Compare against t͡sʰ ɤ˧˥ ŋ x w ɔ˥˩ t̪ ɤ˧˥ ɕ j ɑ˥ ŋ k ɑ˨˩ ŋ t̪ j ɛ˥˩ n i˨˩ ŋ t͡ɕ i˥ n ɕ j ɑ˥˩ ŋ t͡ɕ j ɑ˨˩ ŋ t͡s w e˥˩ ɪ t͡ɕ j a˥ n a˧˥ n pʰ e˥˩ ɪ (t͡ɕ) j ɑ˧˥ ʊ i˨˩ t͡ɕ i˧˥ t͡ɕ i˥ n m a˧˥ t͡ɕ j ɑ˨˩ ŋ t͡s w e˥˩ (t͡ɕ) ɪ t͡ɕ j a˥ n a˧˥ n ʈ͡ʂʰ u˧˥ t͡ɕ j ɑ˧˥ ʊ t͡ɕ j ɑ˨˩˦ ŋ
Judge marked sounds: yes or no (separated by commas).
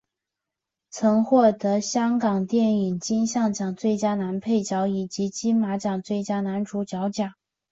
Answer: yes, no